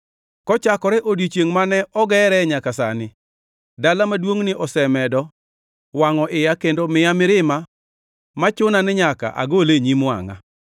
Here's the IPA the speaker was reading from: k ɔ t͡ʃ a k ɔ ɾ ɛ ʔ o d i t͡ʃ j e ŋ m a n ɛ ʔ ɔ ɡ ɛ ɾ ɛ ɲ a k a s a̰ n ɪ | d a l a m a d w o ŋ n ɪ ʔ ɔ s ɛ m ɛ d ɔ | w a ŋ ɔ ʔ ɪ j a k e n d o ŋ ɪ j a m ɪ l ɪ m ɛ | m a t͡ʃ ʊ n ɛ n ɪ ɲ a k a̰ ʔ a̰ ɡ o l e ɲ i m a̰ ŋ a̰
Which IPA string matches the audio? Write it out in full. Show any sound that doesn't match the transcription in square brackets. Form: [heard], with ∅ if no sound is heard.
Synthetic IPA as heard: k ɔ t͡ʃ a k ɔ ɾ ɛ ʔ o d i t͡ʃ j e ŋ m a n ɛ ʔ ɔ ɡ ɛ ɾ ɛ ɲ a k a s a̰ n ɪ | d a l a m a d w o ŋ n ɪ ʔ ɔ s ɛ m ɛ d ɔ | w a ŋ ɔ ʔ ɪ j a k e n d o [m] ɪ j a m ɪ [ɾ] ɪ m [a] | m a t͡ʃ ʊ n [a] n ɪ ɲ a k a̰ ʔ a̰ ɡ o l e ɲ i m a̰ ŋ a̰